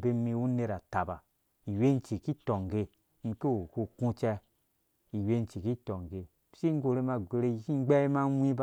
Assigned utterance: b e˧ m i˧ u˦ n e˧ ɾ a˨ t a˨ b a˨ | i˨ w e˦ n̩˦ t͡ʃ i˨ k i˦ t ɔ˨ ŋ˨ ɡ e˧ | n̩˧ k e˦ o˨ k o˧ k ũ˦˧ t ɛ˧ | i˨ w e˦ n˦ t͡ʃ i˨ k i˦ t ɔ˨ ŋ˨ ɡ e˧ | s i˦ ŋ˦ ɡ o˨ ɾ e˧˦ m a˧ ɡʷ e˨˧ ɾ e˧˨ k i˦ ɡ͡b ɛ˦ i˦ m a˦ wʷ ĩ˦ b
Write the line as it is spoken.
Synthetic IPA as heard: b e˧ m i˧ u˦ n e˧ ɾ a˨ t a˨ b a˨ | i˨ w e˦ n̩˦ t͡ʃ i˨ k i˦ t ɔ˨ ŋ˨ ɡ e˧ | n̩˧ k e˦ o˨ k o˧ k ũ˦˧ t͡ʃ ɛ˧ | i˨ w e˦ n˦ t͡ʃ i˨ k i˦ t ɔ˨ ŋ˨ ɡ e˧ | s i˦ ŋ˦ ɡ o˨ ɾ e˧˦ m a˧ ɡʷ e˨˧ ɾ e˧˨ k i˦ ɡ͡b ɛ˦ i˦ m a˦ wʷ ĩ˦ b